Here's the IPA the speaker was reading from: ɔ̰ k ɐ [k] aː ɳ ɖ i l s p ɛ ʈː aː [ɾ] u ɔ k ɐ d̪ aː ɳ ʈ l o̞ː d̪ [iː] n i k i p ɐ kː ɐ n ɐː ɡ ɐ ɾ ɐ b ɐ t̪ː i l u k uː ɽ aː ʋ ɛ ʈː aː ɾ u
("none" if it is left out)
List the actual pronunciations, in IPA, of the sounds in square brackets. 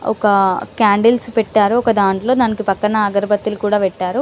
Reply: k, ɾ, aː

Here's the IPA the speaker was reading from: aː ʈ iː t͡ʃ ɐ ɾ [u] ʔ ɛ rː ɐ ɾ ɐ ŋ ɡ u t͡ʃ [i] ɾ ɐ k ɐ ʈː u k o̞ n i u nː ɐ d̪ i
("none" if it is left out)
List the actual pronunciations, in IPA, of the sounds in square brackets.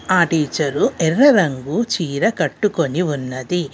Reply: u, iː

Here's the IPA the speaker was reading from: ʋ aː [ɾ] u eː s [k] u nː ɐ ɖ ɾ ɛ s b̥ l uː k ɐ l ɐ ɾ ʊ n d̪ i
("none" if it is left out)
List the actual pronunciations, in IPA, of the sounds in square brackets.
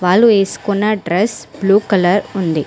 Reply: l, k

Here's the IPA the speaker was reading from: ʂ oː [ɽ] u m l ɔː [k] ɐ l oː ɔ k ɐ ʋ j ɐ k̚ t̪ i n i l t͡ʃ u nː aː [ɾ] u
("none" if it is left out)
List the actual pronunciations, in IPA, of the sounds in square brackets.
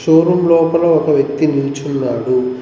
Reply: ɾ, p, ɽ

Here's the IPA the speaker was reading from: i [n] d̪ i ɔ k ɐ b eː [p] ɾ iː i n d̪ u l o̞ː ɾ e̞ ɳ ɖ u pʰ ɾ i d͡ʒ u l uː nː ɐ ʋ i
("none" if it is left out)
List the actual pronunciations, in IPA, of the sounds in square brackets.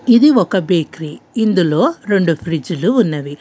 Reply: none, k

